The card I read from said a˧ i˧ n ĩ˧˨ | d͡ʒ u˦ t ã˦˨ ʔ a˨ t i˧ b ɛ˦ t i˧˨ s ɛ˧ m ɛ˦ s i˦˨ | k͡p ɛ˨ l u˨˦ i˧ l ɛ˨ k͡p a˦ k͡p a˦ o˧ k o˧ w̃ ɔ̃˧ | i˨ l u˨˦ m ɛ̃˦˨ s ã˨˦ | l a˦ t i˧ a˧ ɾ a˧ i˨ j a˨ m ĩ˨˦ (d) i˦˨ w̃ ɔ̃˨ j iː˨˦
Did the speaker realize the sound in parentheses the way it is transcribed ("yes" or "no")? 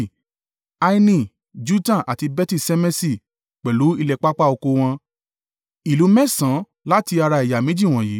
no